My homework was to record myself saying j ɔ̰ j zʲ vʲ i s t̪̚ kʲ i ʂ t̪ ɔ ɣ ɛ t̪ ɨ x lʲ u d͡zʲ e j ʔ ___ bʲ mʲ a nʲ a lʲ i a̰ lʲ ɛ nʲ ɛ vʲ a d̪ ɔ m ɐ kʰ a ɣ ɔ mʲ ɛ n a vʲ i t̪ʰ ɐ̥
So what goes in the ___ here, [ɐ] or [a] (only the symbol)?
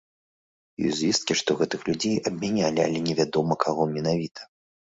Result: ɐ